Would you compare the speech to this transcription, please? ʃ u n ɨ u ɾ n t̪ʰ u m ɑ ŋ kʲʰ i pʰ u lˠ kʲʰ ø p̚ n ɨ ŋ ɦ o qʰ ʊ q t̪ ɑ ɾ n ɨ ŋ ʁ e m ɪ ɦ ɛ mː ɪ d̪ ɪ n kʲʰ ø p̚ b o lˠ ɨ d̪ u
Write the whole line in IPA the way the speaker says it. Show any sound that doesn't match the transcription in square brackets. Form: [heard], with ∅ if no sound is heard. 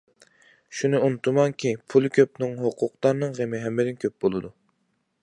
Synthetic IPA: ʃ u n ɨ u [∅] n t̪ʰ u m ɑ ŋ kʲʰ i pʰ u lˠ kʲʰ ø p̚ n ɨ ŋ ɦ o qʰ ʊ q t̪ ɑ ɾ n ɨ ŋ ʁ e m ɪ ɦ ɛ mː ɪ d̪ ɪ n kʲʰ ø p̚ b o lˠ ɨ d̪ u